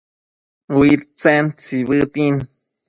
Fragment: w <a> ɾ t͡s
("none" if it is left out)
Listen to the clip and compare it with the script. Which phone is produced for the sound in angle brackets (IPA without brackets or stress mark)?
i